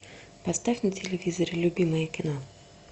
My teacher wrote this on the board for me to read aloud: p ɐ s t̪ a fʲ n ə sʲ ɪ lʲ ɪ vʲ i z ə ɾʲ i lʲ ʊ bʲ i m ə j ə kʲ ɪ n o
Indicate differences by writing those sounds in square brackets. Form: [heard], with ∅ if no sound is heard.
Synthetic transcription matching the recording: p ɐ s t̪ a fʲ n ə [tʲ] ɪ lʲ ɪ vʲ i z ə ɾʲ [ɪ] lʲ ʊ bʲ i m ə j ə kʲ ɪ n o